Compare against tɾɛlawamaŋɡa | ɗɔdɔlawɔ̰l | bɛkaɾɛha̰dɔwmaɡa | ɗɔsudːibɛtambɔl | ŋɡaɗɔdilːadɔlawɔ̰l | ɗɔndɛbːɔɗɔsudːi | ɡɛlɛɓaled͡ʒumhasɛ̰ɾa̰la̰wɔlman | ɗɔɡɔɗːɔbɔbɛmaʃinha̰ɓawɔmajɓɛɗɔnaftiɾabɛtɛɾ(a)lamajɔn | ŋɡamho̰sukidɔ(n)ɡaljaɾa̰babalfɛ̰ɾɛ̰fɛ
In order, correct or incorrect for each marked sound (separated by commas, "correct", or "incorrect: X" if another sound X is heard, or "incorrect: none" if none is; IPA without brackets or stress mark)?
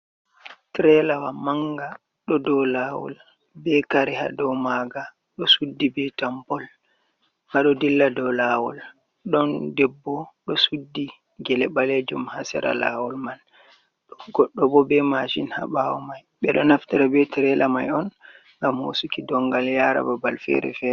incorrect: ɛ, incorrect: ŋ